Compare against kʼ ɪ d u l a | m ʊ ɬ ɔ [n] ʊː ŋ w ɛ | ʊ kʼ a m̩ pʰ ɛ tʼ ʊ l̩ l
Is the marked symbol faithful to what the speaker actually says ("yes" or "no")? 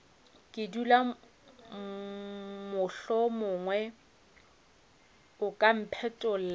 no